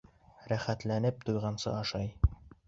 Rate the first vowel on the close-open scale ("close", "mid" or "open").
open